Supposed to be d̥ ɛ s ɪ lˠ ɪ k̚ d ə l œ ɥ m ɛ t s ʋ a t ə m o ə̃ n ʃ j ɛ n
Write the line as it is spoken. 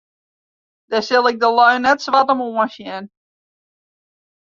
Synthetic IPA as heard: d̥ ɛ s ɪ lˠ ɪ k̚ d ə l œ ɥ n ɛ t s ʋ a t ə m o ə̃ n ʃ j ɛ n